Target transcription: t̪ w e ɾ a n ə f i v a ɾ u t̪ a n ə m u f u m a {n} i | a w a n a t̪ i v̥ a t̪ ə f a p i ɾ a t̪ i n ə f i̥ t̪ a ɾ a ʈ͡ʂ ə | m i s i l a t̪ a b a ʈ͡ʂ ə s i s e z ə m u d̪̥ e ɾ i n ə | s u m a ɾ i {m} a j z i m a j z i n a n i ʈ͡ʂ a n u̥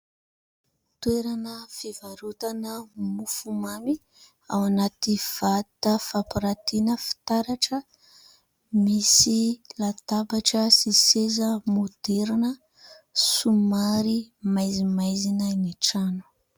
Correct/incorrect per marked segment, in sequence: incorrect: m, correct

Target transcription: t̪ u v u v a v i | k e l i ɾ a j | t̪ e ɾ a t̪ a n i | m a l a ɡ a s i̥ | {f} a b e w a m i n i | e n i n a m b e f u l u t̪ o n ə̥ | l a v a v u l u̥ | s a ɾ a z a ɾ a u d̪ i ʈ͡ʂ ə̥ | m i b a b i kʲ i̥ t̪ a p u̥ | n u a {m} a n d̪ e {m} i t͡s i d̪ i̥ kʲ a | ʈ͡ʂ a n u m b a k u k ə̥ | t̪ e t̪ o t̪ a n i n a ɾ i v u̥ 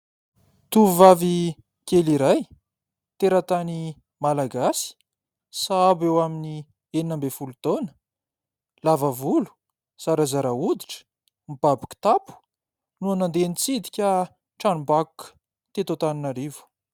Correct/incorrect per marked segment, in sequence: incorrect: s, incorrect: n, incorrect: n

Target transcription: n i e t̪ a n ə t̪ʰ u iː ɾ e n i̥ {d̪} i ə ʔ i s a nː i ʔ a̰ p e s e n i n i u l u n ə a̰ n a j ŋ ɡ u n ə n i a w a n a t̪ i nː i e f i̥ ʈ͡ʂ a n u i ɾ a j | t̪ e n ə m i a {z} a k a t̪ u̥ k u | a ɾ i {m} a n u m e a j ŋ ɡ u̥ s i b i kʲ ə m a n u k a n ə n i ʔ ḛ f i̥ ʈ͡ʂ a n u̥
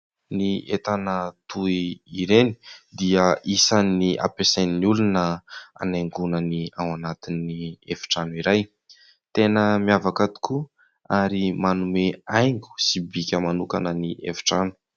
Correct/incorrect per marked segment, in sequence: correct, incorrect: v, correct

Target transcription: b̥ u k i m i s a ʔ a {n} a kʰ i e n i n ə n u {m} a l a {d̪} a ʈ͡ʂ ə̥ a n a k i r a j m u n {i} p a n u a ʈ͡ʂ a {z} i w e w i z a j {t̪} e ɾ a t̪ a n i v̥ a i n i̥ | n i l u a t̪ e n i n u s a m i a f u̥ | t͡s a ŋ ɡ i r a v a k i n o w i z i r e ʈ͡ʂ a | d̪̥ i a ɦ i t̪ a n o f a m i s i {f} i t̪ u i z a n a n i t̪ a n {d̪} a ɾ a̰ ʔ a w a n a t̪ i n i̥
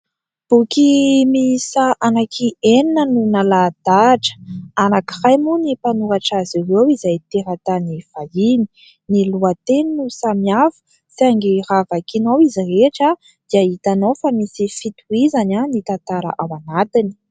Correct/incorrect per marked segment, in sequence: correct, incorrect: n, correct, correct, correct, correct, correct, incorrect: t̪

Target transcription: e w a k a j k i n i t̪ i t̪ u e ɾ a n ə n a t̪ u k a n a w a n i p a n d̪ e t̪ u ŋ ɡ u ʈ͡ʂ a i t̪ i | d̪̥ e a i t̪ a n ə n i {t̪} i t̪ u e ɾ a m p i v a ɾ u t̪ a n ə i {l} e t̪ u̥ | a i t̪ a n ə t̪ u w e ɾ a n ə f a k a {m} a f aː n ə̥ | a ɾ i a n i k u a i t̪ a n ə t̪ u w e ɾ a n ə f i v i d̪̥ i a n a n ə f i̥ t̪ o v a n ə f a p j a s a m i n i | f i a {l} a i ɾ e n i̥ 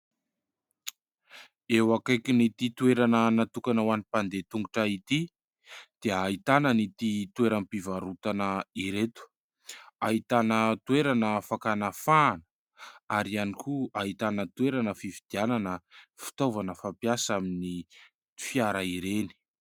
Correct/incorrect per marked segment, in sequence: correct, incorrect: ɾ, incorrect: n, incorrect: ɾ

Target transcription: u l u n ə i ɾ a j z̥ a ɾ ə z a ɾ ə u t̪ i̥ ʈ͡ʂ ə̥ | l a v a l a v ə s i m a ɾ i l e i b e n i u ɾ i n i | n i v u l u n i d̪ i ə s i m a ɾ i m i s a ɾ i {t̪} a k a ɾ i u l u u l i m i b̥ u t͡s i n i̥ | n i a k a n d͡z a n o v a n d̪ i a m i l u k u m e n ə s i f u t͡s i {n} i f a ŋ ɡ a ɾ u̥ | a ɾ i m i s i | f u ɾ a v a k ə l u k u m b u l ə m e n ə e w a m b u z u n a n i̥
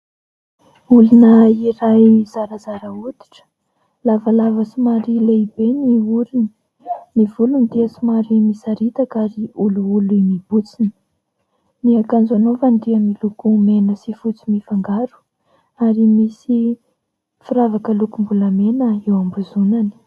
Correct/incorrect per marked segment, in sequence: correct, incorrect: m

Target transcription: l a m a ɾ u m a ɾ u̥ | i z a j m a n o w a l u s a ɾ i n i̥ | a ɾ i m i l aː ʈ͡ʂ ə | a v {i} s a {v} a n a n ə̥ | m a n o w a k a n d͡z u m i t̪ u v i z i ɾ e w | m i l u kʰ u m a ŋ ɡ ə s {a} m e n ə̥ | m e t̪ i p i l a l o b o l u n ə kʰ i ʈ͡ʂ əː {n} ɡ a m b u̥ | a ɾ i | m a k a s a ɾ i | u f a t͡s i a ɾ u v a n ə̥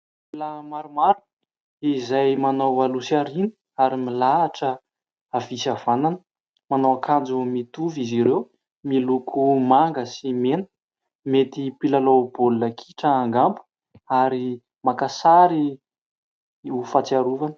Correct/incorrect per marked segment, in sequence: correct, correct, incorrect: i, incorrect: ŋ

